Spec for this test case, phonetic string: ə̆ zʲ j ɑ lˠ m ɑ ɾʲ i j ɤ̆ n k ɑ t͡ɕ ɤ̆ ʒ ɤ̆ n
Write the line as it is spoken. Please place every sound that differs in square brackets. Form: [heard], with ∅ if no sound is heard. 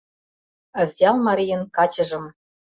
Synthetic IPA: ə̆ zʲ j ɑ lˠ m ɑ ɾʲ i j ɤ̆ n k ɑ t͡ɕ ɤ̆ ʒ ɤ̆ [m]